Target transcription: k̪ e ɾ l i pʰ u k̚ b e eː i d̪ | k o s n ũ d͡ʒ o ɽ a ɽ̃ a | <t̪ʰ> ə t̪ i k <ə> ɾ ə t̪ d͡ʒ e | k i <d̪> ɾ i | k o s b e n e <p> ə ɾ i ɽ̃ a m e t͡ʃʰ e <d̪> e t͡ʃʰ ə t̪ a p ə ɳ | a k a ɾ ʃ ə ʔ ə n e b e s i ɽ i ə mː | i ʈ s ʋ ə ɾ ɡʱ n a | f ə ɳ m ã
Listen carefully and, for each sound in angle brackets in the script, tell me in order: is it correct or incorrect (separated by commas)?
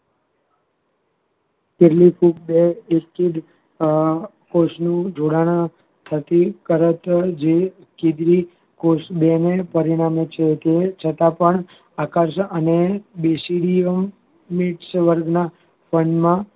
correct, correct, correct, correct, incorrect